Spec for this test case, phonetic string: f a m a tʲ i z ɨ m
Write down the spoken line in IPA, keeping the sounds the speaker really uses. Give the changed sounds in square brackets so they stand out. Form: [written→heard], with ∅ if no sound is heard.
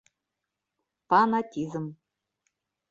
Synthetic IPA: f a [m→n] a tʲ i z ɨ m